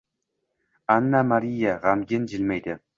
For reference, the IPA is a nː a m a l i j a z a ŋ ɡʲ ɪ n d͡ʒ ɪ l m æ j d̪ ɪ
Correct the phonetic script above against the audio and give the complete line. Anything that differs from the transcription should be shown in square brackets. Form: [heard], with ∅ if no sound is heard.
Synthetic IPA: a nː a m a [ɾ] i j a [ʁ] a [m] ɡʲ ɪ n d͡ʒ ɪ l m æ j d̪ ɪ